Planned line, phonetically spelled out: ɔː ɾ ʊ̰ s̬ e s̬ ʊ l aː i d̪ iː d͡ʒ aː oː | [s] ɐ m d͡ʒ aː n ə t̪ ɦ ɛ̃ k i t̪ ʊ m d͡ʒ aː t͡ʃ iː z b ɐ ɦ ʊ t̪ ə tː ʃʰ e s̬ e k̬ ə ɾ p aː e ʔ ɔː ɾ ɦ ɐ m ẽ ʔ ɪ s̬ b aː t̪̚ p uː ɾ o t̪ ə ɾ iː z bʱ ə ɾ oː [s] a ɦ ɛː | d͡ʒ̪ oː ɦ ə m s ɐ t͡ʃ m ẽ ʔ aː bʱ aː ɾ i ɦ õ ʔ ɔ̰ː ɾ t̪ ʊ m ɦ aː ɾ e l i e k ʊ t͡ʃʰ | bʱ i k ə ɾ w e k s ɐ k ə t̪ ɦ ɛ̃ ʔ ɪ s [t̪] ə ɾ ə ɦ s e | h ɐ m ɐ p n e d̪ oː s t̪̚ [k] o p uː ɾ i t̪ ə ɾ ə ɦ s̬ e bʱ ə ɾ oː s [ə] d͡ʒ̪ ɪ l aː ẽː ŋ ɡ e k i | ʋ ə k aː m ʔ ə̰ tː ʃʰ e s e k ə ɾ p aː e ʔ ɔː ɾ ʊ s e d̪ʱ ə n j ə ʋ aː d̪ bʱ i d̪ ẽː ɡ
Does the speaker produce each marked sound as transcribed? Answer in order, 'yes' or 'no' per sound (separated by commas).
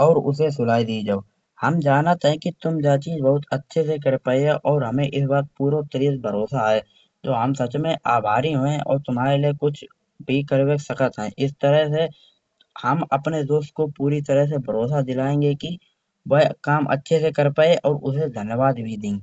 no, yes, yes, yes, no